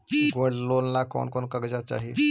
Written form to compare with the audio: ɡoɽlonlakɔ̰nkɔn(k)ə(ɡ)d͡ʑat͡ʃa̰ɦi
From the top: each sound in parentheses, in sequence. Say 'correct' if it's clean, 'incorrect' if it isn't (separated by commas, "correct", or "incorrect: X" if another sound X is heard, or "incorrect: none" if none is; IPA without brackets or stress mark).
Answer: correct, correct